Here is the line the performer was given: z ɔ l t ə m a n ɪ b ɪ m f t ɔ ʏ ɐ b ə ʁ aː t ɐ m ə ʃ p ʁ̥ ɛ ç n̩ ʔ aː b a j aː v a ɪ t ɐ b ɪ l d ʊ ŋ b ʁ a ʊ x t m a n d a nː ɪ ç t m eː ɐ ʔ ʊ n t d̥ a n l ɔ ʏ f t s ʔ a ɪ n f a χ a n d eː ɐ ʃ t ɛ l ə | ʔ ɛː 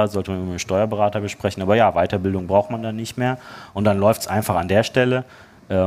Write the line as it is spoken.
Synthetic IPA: z ɔ l t ə m a n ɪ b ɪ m ʃ t ɔ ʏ ɐ b ə ʁ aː t ɐ b ə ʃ p ʁ̥ ɛ ç n̩ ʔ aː b ɐ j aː v a ɪ t ɐ b ɪ l d ʊ ŋ b ʁ a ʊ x t m a n d a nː ɪ ç t m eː ɐ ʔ ʊ n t d̥ a n l ɔ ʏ f t s ʔ a ɪ n f a χ a n d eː ɐ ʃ t ɛ l ə | ʔ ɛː